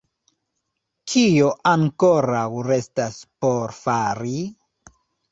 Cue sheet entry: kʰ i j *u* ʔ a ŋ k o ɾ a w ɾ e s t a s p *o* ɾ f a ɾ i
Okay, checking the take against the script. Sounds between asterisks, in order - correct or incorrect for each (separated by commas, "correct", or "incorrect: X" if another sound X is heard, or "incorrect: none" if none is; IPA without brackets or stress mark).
incorrect: o, correct